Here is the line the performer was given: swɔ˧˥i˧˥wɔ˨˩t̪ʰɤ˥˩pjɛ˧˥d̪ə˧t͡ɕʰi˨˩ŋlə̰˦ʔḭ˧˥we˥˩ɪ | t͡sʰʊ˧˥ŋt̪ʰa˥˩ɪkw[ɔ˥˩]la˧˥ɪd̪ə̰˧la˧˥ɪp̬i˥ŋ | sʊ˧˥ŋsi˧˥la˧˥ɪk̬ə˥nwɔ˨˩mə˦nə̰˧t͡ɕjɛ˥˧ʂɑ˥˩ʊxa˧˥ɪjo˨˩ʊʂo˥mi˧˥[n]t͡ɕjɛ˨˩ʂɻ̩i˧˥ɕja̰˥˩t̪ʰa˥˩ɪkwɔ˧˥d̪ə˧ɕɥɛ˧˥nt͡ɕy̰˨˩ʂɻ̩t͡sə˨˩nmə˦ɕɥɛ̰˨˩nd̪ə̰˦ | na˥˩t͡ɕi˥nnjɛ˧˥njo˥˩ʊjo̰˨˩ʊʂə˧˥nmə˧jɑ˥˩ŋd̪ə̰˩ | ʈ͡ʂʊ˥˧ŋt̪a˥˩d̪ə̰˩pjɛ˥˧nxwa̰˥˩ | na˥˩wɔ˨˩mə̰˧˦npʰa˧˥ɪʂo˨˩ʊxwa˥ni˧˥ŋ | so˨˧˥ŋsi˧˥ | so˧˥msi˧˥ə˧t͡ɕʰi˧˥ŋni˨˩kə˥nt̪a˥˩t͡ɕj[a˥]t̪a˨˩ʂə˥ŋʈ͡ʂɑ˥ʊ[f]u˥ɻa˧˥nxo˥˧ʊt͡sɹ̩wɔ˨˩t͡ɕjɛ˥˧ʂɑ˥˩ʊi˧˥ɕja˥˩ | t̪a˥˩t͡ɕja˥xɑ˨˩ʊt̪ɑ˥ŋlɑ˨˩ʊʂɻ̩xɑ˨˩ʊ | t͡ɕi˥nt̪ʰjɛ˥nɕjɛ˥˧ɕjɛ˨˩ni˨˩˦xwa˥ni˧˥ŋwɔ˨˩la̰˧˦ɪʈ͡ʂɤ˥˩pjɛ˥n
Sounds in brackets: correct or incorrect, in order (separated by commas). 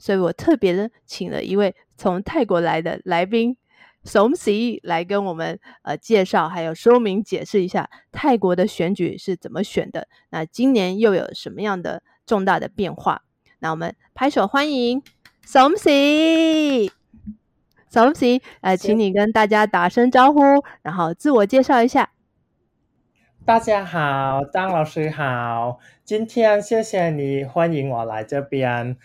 incorrect, incorrect, correct, incorrect